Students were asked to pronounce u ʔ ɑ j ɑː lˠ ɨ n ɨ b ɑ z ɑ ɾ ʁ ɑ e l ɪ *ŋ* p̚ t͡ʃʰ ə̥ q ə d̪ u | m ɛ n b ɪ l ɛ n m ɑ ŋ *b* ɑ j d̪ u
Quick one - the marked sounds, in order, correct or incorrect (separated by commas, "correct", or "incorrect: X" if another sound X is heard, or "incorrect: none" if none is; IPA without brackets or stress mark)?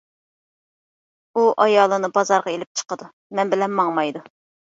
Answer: incorrect: none, incorrect: m